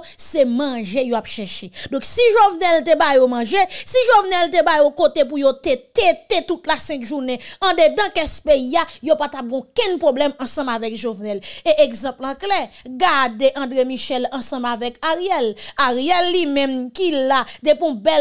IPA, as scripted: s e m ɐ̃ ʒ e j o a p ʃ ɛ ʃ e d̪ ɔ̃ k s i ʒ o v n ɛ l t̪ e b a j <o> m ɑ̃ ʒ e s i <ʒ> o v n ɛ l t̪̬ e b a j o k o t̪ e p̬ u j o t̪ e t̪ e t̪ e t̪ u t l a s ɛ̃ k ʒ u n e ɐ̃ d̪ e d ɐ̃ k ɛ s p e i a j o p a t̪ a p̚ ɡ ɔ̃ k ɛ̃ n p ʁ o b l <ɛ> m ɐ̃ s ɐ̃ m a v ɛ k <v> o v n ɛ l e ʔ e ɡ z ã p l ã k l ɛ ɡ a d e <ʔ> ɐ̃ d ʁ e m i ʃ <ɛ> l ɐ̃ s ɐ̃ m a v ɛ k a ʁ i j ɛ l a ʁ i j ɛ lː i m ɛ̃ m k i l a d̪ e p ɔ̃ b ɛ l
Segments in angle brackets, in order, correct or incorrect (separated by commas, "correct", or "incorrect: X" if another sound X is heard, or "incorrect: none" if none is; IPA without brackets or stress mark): correct, correct, correct, incorrect: ʒ, correct, correct